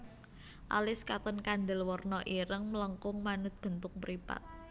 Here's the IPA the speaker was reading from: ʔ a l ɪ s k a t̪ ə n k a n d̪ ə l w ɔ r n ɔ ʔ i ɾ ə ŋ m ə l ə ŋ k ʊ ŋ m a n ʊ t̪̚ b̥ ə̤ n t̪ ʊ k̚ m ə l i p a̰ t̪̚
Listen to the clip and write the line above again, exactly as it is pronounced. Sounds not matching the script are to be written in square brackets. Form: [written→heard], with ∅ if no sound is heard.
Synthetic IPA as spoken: ʔ a l ɪ s k a t̪ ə n k a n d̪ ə l w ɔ r n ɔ ʔ i ɾ ə ŋ m ə l ə ŋ k ʊ ŋ m a n ʊ t̪̚ b̥ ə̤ n t̪ ʊ k̚ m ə [l→ɾ] i p a̰ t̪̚